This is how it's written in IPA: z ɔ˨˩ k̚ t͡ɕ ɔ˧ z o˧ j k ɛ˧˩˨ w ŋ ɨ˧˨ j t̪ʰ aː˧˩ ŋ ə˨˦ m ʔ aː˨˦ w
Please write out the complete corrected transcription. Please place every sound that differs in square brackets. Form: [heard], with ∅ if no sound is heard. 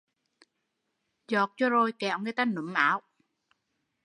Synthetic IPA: z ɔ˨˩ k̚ t͡ɕ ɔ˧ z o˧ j k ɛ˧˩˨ w ŋ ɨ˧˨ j [t̪] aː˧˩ [n] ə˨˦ m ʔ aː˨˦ w